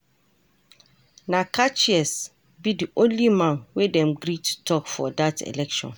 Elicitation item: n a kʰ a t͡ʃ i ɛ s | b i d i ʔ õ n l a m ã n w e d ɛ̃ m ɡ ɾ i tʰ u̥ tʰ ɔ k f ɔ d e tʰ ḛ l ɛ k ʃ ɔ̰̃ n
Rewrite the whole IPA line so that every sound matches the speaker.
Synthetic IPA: n a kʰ a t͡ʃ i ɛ s | b i d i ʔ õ n l i m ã n w e d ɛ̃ m ɡ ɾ i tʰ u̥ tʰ ɔ k f ɔ d a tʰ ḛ l ɛ k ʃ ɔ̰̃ n